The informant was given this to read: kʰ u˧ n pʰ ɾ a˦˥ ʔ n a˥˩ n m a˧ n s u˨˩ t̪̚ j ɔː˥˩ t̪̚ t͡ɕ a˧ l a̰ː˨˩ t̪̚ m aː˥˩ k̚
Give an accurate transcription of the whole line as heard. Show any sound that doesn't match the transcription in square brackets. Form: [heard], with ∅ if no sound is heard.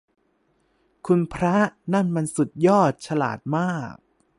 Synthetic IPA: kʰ u˧ n pʰ ɾ a˦˥ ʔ n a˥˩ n m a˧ n s u˨˩ t̪̚ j ɔː˥˩ t̪̚ [t͡ɕʰ] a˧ l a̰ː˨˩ t̪̚ m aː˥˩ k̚